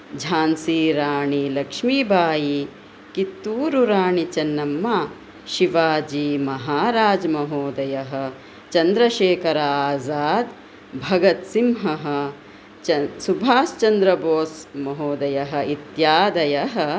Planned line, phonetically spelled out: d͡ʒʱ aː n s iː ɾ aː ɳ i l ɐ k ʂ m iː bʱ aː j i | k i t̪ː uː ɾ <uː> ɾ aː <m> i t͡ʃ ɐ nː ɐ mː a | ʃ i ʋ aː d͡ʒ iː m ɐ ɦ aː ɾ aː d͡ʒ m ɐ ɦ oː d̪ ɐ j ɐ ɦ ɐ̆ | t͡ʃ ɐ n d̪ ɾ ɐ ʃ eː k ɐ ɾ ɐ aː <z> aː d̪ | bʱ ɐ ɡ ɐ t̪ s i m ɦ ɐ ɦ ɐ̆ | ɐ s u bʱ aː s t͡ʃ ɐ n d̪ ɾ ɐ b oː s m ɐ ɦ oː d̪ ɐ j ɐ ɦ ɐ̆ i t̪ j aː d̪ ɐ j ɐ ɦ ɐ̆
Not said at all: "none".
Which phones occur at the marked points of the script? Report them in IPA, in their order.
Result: u, ɳ, z

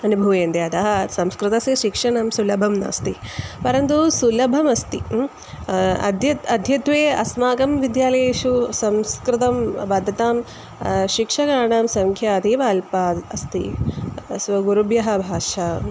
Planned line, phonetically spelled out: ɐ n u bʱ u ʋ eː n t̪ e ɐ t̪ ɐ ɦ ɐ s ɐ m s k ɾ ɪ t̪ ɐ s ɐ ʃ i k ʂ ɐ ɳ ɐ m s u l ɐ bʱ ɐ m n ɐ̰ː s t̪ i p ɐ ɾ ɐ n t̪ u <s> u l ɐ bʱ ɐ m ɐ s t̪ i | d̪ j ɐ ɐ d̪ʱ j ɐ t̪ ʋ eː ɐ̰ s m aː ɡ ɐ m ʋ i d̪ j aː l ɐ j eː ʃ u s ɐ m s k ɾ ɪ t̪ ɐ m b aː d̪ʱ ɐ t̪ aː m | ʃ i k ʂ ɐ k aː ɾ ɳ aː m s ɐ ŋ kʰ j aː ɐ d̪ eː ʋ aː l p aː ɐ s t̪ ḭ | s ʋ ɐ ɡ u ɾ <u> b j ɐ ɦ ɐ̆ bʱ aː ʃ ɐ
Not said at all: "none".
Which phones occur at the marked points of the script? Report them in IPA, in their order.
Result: s, u

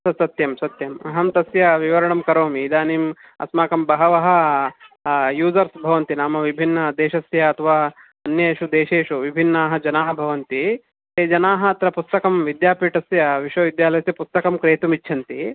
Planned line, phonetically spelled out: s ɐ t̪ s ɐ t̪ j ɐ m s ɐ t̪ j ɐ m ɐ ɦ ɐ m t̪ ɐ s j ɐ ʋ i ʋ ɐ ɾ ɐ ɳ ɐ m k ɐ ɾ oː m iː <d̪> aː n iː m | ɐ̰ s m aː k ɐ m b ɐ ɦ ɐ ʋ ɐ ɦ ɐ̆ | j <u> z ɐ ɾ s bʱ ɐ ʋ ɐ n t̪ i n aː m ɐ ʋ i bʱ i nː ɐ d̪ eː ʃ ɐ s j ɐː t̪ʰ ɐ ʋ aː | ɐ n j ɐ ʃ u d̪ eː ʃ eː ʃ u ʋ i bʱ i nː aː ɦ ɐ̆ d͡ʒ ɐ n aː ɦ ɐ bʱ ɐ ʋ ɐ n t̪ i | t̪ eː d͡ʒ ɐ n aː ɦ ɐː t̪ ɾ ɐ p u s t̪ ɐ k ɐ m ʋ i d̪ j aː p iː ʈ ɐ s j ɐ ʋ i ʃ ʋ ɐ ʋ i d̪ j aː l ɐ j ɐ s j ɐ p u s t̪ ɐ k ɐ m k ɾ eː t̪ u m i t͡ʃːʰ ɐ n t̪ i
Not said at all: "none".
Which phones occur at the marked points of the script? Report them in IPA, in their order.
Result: d̪, uː

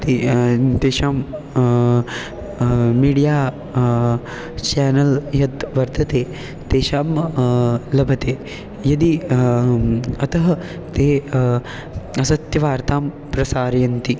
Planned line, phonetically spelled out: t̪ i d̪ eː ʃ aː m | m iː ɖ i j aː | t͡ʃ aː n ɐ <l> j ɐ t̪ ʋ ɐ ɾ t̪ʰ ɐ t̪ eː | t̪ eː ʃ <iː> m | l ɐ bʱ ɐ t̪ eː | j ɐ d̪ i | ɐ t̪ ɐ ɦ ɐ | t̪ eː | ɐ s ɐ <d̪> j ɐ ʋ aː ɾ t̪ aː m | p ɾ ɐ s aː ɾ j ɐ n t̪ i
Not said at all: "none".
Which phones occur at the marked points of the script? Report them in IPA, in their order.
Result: l, aː, t̪

